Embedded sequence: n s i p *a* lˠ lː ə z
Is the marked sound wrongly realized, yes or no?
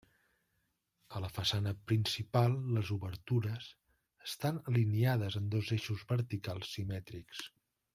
no